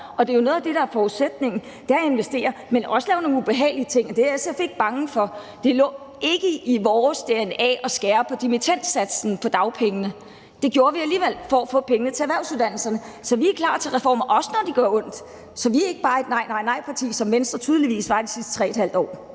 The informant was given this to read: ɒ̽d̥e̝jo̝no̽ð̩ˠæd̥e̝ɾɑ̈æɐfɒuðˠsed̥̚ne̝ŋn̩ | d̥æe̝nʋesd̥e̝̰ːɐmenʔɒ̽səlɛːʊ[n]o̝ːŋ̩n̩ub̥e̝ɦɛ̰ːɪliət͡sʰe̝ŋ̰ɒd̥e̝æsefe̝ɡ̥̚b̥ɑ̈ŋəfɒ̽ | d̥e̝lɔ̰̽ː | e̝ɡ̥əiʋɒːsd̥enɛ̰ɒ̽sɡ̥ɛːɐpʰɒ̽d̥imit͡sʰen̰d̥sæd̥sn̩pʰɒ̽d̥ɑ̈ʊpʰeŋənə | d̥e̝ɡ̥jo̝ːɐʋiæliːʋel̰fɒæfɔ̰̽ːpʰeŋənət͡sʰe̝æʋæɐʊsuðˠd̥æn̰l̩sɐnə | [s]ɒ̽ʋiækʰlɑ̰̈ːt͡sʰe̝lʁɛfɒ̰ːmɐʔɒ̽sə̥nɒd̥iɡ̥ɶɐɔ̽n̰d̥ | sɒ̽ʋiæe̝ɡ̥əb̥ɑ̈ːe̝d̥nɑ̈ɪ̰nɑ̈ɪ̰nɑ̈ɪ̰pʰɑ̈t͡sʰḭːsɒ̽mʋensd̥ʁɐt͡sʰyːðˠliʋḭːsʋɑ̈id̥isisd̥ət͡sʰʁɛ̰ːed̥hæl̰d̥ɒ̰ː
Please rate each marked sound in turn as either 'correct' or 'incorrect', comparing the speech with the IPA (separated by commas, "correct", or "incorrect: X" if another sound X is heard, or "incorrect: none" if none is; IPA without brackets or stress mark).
correct, correct